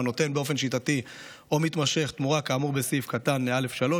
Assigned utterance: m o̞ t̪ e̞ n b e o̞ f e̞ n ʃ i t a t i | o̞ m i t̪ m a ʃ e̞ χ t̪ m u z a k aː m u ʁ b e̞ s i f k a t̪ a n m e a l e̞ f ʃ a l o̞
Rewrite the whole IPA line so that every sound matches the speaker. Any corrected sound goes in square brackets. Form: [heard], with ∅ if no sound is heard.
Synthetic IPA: [n] o̞ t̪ e̞ n b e o̞ f e̞ n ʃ i t a t i | o̞ m i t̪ m a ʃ e̞ χ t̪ m u [ʁ] a k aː m u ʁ b e̞ s i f k a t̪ a n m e a l e̞ f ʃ a l o̞